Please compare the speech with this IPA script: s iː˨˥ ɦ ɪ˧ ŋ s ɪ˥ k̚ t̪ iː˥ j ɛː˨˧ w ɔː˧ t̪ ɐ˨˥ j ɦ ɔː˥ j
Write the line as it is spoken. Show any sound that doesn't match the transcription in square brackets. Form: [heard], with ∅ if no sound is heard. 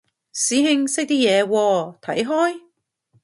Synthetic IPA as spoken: s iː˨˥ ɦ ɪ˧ ŋ s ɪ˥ k̚ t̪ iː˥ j ɛː˨˧ w ɔː˧ [t̪ʰ] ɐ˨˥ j ɦ ɔː˥ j